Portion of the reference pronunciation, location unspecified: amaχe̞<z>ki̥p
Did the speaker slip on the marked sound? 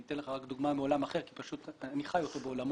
yes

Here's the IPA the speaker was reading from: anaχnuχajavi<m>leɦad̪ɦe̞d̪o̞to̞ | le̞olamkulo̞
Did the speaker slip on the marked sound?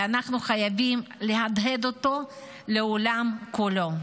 no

